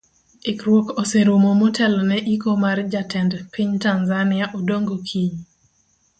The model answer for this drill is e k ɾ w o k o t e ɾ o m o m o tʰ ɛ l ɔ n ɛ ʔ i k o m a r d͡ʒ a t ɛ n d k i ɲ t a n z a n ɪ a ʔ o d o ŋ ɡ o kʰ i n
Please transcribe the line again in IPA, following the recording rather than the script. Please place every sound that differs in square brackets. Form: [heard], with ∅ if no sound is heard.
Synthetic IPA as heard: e k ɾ w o k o [s] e ɾ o m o m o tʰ ɛ l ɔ n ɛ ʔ i k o m a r d͡ʒ a t ɛ n d [p] i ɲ t a n z a n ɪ a ʔ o d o ŋ ɡ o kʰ i [ɲ]